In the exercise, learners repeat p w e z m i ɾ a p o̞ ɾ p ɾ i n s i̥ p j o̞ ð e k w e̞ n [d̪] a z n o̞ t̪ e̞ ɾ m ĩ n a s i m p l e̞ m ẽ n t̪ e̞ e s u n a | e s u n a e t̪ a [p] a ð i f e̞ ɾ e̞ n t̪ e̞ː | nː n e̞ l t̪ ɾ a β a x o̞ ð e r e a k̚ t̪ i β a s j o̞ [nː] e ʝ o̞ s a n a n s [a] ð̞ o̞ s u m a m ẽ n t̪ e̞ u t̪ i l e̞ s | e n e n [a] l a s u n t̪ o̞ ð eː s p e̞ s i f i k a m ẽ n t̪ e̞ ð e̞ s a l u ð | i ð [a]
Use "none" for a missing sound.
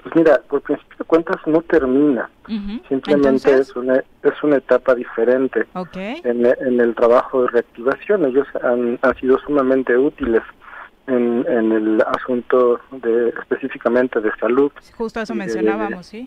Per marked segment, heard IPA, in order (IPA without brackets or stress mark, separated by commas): t̪, p, n, i, e, e